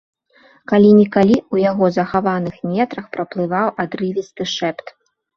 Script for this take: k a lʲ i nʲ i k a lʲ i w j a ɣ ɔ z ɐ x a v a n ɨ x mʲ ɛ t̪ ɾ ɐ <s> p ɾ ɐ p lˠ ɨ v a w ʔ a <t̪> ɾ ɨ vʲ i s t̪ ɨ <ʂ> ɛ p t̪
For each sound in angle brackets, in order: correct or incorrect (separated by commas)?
incorrect, incorrect, correct